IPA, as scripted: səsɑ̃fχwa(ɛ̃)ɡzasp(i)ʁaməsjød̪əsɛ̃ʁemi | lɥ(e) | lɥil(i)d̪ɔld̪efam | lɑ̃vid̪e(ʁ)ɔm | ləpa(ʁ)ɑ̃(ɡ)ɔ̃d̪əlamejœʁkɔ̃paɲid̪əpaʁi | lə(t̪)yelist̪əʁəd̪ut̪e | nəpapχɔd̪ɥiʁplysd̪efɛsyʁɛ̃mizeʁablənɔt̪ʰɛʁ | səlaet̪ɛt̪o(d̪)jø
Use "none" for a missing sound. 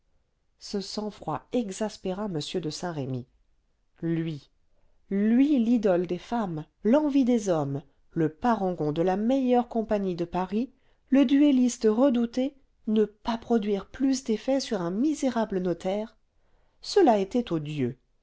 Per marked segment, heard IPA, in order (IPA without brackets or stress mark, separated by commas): ɛ, e, i, i, z, ʁ, ɡ, d̪, d̪